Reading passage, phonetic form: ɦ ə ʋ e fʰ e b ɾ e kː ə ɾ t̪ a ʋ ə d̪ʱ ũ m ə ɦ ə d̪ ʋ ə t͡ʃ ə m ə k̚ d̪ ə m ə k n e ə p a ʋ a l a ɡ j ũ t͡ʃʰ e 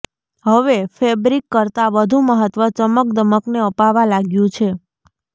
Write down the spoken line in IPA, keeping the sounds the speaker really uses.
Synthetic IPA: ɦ ə ʋ e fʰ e b ɾ i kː ə ɾ t̪ a ʋ ə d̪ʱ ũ m ə ɦ ə t̪ ʋ ə t͡ʃ ə m ə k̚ d̪ ə m ə k n e ə p a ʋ a l a ɡ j ũ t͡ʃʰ e